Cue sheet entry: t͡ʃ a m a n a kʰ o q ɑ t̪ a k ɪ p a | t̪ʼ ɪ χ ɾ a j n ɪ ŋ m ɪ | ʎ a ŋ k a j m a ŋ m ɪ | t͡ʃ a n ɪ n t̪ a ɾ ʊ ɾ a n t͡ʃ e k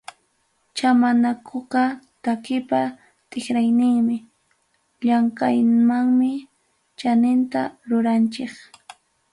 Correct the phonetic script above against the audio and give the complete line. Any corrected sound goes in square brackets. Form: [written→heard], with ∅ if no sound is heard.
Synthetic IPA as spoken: t͡ʃ a m a n a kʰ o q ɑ t̪ a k ɪ p a | t̪ʼ ɪ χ ɾ a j n ɪ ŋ m ɪ | ʎ a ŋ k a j m a ŋ m ɪ | t͡ʃ a n ɪ n t̪ a ɾ ʊ ɾ a n t͡ʃ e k